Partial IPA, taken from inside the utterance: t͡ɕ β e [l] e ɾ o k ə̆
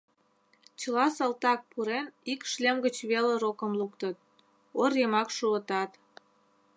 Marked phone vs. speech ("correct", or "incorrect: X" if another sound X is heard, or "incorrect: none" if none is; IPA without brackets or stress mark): correct